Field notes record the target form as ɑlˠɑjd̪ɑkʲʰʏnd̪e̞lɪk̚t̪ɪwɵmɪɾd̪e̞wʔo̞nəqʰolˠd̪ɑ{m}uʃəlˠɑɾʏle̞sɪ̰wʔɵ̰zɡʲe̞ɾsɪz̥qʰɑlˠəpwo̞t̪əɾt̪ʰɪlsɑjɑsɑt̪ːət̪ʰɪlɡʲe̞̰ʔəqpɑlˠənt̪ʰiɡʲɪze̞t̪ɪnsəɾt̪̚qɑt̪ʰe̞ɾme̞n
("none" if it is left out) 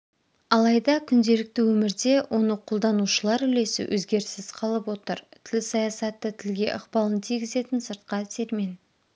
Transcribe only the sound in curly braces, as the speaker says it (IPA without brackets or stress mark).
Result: n